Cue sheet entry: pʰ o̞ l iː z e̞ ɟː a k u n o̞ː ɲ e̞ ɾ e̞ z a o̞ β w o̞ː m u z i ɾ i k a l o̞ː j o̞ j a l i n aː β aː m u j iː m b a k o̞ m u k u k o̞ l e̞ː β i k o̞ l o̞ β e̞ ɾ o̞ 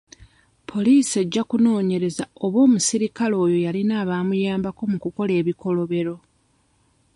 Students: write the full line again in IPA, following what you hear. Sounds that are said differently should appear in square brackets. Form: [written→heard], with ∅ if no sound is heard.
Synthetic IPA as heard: pʰ o̞ l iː [z→s] e̞ ɟː a k u n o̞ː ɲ e̞ ɾ e̞ z a o̞ β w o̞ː m u [z→s] i ɾ i k a l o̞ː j o̞ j a l i n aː β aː m u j [iː→aː] m b a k o̞ m u k u k o̞ l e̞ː β i k o̞ l o̞ β e̞ ɾ o̞